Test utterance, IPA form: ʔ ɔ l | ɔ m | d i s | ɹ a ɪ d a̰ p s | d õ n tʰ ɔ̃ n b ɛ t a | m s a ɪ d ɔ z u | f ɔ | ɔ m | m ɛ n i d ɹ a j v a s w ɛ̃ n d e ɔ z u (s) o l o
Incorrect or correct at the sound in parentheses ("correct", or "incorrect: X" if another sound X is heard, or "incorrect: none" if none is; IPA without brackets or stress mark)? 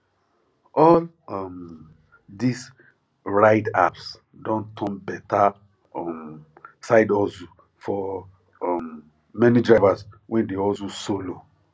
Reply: correct